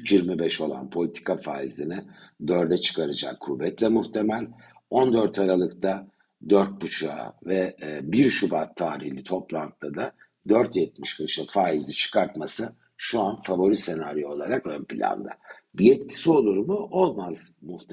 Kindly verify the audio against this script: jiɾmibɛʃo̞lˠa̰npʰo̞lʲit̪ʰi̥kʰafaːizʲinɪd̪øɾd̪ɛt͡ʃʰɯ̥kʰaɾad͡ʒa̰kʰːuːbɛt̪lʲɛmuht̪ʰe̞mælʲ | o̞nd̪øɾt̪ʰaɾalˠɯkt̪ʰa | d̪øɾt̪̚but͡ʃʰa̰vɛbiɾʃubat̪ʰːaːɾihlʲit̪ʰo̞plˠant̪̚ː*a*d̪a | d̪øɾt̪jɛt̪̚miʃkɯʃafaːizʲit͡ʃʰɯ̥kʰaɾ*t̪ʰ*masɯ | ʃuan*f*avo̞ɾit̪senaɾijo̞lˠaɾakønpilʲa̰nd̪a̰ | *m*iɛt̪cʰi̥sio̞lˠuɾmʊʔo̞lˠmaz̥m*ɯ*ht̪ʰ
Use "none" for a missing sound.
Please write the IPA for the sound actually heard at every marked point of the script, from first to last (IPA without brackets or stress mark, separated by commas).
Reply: a, t̪, f, b, u